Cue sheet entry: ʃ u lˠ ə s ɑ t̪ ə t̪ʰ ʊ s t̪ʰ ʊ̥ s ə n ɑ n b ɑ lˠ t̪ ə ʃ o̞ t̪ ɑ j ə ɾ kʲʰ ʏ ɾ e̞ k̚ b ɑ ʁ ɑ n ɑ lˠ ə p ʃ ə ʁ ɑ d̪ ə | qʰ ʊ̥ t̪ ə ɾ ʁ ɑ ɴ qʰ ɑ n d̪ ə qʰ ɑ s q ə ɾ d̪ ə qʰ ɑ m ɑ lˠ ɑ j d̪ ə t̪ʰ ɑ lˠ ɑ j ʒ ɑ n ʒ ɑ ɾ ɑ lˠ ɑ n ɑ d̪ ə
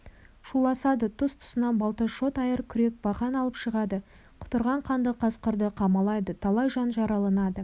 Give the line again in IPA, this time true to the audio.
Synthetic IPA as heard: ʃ u lˠ ɑ s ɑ d̪ ə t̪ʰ ʊ s t̪ʰ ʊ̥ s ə n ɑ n b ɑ lˠ t̪ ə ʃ o̞ t̪ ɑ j ə ɾ kʲʰ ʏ ɾ e̞ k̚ b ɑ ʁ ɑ n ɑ lˠ ə p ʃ ə ʁ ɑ d̪ ə | qʰ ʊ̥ t̪ ə ɾ ʁ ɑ ɴ qʰ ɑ n d̪ ə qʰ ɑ s q ə ɾ d̪ ə qʰ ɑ m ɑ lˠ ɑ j d̪ ə t̪ʰ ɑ lˠ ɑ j ʒ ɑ n ʒ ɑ ɾ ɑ lˠ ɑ n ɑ d̪ ə